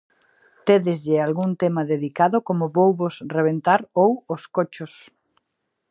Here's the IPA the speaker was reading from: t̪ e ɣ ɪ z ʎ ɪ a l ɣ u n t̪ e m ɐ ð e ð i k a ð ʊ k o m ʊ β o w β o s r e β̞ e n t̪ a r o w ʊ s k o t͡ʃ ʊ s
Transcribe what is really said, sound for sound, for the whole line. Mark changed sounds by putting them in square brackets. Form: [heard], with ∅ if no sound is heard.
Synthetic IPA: t̪ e [ð] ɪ z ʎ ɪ a l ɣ u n t̪ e m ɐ ð e ð i k a ð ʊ k o m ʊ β o w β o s r e β̞ e n t̪ a [ɾ] o w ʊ s k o t͡ʃ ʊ s